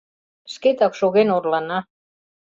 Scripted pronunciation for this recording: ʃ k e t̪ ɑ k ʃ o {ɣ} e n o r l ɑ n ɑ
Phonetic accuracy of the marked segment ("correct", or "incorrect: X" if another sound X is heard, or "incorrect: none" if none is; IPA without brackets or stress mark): correct